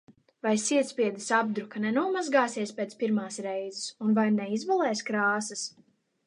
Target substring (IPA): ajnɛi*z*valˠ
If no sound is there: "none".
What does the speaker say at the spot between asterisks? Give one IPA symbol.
z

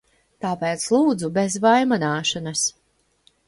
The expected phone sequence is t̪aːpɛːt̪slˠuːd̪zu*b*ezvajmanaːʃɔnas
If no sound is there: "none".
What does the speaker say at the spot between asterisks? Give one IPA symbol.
b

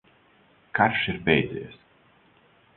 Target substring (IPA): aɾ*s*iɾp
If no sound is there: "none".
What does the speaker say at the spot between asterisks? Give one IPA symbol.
ʃ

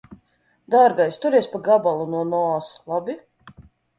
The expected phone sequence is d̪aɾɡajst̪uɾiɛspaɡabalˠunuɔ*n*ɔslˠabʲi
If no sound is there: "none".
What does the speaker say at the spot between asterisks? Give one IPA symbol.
n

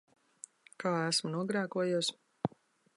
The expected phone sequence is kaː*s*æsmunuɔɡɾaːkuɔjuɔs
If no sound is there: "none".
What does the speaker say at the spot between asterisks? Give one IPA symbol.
none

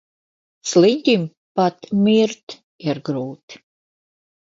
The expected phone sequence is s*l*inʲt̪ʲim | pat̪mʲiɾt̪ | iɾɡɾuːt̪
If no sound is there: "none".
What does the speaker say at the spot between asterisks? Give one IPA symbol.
l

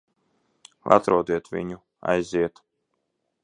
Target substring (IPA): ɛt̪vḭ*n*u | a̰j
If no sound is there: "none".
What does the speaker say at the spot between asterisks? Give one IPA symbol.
ɲ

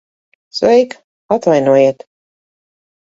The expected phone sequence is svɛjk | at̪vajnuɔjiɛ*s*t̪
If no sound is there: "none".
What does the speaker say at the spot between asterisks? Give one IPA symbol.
none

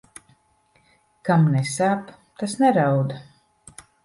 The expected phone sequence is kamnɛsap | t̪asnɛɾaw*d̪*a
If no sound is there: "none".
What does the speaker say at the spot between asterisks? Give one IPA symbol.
d̪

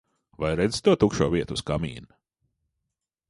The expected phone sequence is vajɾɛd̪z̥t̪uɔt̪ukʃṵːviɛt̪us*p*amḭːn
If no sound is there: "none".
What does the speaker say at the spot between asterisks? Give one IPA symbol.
k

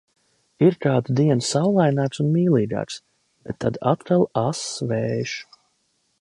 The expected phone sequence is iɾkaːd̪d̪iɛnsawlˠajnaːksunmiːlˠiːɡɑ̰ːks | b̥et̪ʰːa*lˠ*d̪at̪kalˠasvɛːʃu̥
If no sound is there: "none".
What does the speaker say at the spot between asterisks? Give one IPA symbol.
none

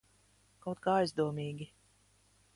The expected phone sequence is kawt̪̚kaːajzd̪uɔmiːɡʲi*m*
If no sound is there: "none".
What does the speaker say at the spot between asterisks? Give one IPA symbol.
none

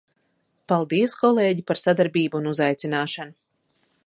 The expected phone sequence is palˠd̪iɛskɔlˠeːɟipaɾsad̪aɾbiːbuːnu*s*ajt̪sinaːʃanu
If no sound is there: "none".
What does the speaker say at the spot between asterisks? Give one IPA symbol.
z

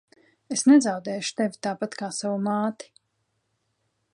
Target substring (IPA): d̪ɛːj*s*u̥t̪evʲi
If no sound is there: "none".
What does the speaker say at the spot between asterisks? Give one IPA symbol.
ʃ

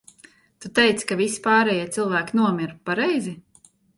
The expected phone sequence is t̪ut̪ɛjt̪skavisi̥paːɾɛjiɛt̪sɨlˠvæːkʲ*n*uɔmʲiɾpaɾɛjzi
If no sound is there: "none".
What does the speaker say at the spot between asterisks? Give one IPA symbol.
n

